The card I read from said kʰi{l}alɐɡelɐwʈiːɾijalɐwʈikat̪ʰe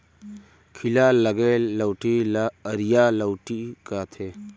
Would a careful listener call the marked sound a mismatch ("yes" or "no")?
no